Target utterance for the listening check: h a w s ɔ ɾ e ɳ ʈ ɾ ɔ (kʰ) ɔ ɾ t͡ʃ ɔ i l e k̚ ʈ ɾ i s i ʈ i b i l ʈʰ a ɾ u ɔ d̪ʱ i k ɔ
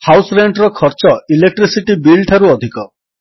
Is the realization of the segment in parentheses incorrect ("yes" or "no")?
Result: no